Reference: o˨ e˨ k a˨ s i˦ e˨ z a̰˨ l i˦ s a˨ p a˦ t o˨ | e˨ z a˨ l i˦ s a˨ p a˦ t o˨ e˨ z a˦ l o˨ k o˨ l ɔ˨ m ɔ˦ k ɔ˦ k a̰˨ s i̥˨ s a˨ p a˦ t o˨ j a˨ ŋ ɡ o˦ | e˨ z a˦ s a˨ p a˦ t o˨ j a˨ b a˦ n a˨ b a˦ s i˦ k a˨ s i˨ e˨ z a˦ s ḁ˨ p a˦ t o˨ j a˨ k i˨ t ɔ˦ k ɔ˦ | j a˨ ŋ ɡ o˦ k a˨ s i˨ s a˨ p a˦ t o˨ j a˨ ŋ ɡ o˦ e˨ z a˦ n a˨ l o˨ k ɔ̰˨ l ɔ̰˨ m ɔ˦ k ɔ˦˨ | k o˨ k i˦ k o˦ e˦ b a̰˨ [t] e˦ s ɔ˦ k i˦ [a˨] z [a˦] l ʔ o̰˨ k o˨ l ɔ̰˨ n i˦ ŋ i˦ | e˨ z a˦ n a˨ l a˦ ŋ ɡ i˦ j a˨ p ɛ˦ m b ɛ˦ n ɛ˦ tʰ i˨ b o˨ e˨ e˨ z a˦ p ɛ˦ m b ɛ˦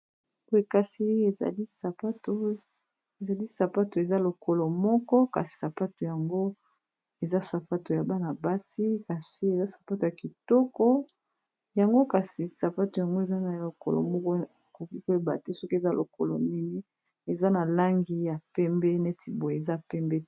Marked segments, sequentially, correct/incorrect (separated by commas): correct, incorrect, correct